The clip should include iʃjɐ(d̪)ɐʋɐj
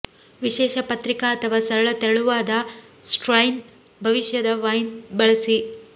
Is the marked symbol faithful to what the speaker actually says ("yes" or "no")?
yes